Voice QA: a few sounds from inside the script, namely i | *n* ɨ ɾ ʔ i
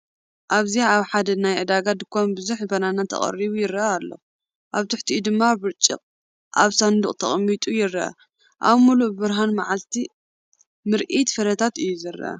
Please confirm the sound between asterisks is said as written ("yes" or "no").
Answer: no